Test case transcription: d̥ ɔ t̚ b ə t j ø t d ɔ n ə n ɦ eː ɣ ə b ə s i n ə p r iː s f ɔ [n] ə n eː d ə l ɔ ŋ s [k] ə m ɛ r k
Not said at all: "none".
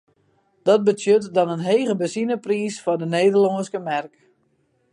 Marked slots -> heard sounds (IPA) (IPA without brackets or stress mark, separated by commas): d, k